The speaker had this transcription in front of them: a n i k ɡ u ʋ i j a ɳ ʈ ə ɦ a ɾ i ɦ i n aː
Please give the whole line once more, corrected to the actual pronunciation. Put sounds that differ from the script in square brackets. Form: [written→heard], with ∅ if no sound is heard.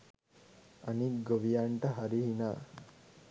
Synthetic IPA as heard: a n i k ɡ [u→o] ʋ i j a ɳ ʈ ə ɦ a ɾ i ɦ i n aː